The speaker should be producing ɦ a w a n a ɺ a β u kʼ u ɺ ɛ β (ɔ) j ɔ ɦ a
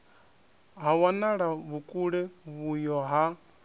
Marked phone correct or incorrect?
incorrect